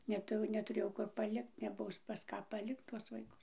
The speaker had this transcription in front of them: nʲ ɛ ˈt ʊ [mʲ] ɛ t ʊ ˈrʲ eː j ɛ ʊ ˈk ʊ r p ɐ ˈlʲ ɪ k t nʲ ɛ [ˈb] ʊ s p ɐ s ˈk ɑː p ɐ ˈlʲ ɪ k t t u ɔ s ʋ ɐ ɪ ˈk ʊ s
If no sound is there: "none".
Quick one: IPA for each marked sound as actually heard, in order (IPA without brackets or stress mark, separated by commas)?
nʲ, b